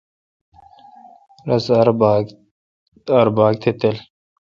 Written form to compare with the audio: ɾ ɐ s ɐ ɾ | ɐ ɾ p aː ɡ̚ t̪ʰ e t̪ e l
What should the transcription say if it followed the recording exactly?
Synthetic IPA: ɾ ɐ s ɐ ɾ | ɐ ɾ b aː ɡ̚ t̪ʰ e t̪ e l